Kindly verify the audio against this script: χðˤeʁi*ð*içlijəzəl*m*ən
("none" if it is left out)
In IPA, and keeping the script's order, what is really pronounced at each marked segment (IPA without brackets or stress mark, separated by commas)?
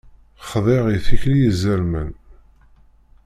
θ, m